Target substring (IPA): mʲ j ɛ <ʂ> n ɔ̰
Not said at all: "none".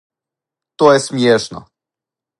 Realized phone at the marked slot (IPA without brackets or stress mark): ʂ